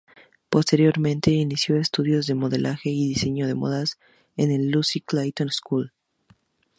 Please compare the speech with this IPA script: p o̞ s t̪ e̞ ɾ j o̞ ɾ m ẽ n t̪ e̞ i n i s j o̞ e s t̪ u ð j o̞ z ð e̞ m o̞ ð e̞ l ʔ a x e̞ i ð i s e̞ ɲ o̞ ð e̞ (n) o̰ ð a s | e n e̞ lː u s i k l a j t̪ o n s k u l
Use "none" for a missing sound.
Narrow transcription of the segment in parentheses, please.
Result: m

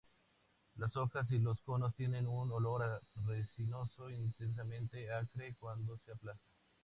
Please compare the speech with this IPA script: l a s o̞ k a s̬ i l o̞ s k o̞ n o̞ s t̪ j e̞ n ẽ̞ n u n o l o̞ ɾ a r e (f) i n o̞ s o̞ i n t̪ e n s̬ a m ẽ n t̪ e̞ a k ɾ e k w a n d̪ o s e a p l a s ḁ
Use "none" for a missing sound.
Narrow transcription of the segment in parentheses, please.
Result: s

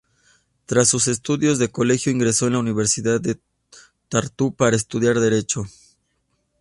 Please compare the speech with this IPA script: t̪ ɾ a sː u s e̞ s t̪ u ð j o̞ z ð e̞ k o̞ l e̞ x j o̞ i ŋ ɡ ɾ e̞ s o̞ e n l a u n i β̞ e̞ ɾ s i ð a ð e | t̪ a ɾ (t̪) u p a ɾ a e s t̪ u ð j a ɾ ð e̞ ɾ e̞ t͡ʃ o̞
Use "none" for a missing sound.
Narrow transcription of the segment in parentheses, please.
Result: t̪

